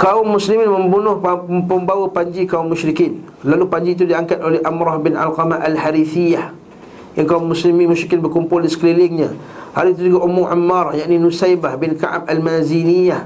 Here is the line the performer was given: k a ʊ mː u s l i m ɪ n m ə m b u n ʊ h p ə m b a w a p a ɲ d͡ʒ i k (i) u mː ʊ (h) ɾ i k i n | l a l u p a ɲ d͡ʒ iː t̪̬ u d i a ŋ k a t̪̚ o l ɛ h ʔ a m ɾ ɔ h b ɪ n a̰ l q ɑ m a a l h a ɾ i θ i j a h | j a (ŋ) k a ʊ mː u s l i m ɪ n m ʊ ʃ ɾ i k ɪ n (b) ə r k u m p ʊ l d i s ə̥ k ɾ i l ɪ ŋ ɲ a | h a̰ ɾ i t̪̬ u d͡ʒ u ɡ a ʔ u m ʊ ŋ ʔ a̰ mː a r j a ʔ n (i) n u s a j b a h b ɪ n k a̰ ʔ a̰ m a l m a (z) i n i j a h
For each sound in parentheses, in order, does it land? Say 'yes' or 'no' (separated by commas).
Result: no, no, yes, yes, yes, yes